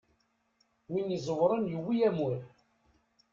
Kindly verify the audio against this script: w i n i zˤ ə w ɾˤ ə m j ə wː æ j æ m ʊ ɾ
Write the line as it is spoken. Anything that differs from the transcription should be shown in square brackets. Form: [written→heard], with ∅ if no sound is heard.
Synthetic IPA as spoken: w i n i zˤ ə w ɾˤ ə [m→n] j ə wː [æ→i] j æ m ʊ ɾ